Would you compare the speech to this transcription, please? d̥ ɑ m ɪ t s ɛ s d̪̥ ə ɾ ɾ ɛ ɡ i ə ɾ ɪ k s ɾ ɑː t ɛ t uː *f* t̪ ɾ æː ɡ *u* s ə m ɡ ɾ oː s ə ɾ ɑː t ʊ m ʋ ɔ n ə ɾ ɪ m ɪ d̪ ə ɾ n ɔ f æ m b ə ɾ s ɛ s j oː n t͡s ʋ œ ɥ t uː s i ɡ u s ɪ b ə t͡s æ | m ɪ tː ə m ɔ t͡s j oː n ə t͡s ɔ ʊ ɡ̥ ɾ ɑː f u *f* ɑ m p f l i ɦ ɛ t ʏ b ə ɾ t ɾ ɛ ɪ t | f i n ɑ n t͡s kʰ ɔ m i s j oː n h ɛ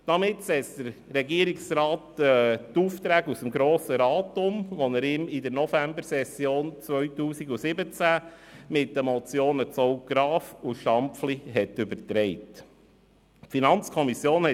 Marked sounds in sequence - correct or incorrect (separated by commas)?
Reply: correct, correct, incorrect